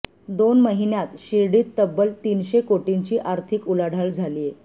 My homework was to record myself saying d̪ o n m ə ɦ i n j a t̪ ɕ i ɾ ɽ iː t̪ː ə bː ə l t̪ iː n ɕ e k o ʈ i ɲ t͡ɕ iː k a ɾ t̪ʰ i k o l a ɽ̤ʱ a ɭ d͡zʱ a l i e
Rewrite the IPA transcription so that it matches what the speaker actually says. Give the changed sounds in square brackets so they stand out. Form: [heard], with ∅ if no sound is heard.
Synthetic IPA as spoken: d̪ o n m ə ɦ i n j a t̪ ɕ i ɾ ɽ iː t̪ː ə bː ə l t̪ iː n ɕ e k o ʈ i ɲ t͡ɕ iː [ʔ] a ɾ t̪ʰ i k [u] l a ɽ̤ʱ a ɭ d͡zʱ a l i e